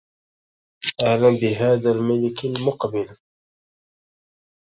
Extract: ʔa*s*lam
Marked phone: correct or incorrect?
incorrect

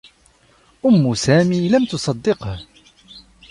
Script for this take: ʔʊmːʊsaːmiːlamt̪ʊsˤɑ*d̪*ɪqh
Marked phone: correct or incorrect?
incorrect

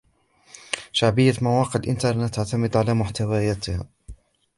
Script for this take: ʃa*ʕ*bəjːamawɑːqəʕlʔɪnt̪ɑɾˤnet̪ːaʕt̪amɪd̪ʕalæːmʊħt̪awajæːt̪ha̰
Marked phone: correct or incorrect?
correct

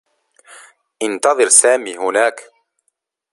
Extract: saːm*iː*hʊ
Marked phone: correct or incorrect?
correct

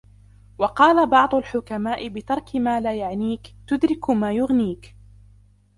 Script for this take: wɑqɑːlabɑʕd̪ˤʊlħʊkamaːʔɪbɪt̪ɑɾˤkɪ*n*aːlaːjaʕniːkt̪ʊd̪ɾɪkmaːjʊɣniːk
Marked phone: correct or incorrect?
incorrect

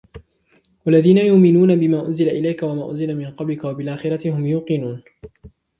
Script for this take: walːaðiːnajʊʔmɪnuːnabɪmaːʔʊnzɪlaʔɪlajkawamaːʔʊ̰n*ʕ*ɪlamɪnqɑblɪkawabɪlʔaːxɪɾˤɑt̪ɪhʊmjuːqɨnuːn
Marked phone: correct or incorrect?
incorrect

